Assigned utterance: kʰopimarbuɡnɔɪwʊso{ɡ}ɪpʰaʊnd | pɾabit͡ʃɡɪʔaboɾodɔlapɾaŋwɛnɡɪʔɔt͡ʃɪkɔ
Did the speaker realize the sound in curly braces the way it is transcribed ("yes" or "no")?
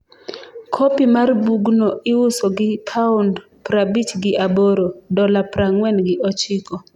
yes